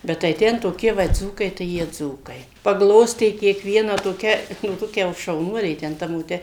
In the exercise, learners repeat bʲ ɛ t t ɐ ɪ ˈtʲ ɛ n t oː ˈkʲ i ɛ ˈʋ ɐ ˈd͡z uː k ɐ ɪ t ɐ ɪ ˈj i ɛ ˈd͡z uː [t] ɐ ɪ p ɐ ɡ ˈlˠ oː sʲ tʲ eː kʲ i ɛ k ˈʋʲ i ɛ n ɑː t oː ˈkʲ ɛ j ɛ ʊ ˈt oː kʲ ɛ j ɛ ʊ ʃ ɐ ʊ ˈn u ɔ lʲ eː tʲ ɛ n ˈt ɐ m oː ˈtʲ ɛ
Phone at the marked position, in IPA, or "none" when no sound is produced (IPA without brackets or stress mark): k